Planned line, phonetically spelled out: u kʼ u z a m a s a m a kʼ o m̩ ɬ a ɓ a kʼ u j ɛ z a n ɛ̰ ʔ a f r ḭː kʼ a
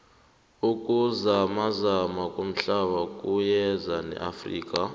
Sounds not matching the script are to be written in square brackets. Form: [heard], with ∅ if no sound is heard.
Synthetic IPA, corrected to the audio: u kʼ u z a m a [z] a m a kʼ o m̩ ɬ a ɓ a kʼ u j ɛ z a n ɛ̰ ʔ a f r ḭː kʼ a